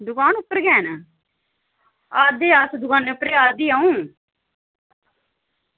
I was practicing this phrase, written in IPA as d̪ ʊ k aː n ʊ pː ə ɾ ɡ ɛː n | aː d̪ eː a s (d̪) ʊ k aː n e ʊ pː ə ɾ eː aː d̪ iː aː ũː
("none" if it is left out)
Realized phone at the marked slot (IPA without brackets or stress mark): d̪